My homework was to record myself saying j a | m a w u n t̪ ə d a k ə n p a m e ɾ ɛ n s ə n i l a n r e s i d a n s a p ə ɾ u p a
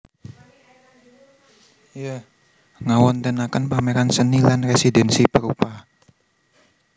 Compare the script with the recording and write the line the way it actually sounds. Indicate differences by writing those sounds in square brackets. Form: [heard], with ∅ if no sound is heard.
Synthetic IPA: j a | [ŋ] a w [ɔ] n t̪ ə [n] a k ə n p a m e ɾ [a] n s ə n i l a n r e s i d [ɛ] n s [i] p ə ɾ u p a